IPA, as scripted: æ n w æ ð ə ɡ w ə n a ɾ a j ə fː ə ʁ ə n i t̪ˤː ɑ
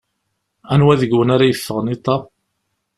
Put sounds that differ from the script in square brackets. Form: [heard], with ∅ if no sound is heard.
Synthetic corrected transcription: æ n w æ ð ə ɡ w ə n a ɾ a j ə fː ə ʁ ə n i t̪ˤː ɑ